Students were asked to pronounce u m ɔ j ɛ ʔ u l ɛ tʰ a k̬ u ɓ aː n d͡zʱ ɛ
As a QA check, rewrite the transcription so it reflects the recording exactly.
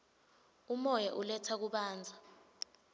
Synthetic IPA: u m ɔ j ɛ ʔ u l ɛ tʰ a k̬ u ɓ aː n d͡zʱ a